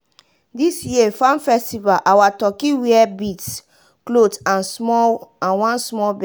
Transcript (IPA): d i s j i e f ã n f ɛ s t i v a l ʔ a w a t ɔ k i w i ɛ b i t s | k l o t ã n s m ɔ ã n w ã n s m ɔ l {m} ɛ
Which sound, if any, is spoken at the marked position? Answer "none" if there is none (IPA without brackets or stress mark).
b